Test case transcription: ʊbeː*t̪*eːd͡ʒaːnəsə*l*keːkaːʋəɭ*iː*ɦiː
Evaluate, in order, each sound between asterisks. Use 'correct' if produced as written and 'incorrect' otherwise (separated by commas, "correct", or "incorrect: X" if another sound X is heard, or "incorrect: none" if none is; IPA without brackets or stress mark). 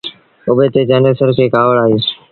correct, incorrect: ɾ, incorrect: aː